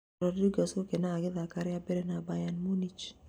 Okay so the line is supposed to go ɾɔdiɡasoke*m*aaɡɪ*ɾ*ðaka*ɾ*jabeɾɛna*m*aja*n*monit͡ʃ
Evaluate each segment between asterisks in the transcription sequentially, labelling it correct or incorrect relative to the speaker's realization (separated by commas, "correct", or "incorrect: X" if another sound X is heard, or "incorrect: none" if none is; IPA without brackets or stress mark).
incorrect: n, incorrect: none, correct, incorrect: b, correct